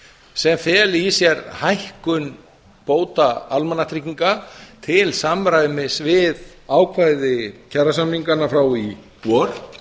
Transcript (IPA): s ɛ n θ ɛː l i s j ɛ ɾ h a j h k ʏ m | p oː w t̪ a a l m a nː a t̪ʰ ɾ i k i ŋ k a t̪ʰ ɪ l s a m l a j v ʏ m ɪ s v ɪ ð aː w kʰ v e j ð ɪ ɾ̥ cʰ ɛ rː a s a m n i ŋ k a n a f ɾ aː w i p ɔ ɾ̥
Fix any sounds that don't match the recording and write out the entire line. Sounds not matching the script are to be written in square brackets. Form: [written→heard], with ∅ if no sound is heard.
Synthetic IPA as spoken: s ɛ [n→m] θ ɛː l i s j ɛ ɾ h a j h k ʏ [m→n] | p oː w t̪ a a l m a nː a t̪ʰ ɾ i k i ŋ k a t̪ʰ ɪ l s a m [l→ɾ] a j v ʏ m ɪ s v ɪ ð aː w kʰ v [e→a] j ð ɪ [ɾ̥→∅] cʰ ɛ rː a s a m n i ŋ k a n a f ɾ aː w i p ɔ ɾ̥